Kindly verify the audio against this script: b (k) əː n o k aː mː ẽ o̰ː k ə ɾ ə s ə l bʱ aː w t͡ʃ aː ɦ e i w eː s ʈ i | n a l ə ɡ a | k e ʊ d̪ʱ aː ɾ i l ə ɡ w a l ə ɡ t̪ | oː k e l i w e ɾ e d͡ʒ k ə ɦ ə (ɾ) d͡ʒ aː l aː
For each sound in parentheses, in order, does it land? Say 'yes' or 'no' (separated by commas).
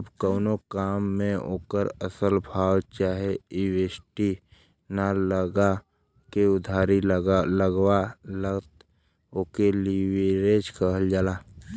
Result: yes, no